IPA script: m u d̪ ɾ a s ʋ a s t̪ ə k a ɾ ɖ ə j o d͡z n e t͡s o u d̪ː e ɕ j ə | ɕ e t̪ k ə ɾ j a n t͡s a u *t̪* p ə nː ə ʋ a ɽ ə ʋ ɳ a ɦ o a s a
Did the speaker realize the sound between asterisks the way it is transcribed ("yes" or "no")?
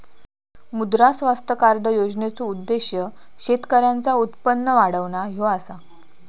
yes